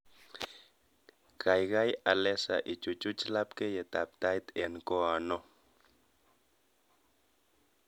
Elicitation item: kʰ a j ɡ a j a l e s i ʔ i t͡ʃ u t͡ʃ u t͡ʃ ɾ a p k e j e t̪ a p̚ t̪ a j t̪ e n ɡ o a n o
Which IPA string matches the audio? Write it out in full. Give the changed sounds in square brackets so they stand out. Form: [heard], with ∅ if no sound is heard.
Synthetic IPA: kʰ a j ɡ a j a l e s [a] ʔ i t͡ʃ u t͡ʃ u t͡ʃ [l] a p k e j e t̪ a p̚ t̪ a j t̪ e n [k] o a n o